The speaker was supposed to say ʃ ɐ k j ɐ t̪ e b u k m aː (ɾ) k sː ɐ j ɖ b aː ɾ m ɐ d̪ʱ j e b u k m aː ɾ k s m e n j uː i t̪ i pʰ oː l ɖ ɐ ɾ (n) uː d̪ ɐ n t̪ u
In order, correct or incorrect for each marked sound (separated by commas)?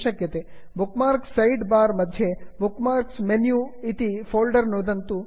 correct, correct